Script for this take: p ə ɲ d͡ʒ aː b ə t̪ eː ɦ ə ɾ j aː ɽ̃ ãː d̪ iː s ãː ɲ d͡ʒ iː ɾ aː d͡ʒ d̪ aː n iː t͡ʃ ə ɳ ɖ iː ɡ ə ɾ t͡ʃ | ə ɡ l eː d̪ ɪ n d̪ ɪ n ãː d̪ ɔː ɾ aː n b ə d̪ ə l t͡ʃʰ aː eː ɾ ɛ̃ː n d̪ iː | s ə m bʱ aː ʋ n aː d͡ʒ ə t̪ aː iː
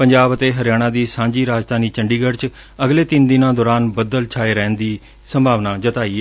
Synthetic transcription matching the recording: p ə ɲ d͡ʒ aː b ə t̪ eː ɦ ə ɾ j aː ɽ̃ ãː d̪ iː s ãː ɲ d͡ʒ iː ɾ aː d͡ʒ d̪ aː n iː t͡ʃ ə ɳ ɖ iː ɡ ə ɾ t͡ʃ | ə ɡ l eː t̪ ɪ n d̪ ɪ n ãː d̪ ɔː ɾ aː n b ə d̪ ə l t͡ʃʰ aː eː ɾ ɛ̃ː n d̪ iː | s ə m bʱ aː ʋ n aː d͡ʒ ə t̪ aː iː

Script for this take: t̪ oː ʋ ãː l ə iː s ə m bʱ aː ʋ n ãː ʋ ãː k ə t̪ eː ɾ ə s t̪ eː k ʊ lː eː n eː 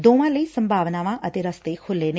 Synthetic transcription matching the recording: d̪ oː ʋ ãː l ə iː s ə m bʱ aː ʋ n aː ʋ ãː ʔ ə t̪ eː ɾ ə s t̪ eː kʰ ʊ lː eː n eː

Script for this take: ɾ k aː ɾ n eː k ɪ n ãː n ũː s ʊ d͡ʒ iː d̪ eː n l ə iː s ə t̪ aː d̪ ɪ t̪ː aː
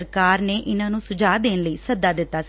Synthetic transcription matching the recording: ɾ k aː ɾ n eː ʔ ɪ n ãː n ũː s ʊ d͡ʒ aː d̪ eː n l ə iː s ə d̪ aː d̪ ɪ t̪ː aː

